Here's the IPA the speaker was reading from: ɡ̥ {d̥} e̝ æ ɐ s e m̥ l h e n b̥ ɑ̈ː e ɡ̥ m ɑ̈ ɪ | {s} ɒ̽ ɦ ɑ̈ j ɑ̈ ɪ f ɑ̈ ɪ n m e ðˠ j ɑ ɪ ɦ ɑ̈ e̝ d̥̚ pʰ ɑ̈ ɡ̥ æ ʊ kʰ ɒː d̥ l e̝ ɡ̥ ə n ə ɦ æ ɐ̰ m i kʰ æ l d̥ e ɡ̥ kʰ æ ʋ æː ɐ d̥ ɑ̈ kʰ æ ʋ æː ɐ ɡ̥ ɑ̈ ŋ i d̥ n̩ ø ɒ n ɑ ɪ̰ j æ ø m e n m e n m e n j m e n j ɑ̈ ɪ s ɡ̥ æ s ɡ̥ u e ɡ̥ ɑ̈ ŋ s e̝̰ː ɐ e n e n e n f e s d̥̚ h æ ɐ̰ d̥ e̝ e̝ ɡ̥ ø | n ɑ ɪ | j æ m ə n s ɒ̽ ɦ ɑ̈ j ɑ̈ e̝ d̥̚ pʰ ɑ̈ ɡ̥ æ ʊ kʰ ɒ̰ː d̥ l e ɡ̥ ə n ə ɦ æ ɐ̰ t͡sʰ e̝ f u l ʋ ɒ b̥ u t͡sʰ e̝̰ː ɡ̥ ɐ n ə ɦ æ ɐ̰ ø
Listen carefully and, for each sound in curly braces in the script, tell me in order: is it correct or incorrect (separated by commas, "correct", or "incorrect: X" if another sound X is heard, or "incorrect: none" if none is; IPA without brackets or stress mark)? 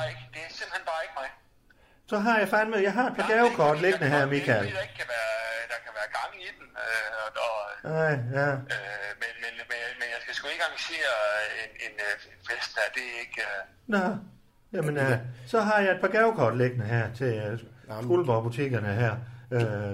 correct, correct